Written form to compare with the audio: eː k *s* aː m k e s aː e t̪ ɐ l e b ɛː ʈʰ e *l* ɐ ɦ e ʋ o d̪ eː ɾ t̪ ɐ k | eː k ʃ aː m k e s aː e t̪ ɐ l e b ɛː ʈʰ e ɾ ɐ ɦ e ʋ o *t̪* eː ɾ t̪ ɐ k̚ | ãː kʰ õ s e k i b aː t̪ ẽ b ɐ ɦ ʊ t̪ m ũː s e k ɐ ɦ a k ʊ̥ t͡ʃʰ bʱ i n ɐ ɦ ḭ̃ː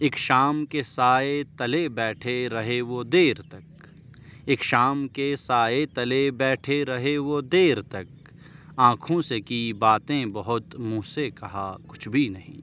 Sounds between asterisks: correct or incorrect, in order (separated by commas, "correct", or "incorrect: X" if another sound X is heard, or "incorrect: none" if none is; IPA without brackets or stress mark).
incorrect: ʃ, incorrect: ɾ, incorrect: d̪